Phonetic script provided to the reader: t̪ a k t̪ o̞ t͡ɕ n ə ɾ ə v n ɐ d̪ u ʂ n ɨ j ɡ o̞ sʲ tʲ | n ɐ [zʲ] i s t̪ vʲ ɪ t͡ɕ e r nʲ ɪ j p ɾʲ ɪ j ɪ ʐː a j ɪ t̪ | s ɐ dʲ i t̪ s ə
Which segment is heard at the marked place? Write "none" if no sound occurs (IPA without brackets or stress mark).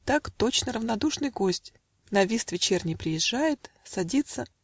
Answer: vʲ